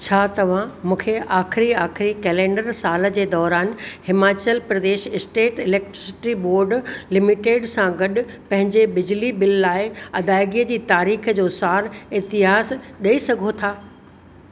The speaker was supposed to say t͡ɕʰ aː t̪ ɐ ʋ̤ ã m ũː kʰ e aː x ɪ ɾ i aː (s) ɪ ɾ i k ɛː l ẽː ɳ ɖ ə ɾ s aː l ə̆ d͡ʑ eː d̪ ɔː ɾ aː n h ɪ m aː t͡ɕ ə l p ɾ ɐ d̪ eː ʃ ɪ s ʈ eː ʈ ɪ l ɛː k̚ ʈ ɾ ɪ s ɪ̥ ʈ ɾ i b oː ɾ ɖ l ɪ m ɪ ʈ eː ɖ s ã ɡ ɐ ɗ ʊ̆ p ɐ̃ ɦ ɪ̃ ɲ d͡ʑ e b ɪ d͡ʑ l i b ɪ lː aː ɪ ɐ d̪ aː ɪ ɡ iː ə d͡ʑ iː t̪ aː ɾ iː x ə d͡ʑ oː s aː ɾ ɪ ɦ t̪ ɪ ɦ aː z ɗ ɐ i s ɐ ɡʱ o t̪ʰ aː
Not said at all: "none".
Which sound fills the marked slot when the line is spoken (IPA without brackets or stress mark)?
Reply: x